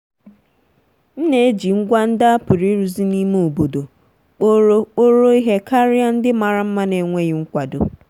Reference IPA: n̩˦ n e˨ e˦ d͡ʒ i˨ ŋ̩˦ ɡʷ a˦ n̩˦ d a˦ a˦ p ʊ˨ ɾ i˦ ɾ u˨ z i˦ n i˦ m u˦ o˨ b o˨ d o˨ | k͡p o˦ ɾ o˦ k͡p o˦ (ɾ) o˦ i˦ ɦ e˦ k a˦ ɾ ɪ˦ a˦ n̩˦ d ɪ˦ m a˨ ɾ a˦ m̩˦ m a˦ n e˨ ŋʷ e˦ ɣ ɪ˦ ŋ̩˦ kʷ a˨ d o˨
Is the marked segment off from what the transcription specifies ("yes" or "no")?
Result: no